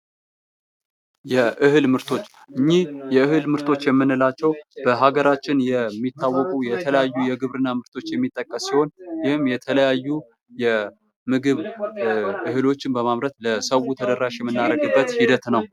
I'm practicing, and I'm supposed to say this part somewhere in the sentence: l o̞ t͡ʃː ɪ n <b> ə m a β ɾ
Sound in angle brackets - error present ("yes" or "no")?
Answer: no